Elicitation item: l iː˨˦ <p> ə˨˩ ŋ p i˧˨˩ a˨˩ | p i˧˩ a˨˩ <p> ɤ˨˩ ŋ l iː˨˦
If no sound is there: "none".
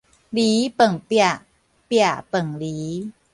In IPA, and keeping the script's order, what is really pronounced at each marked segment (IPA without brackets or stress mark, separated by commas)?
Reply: p, p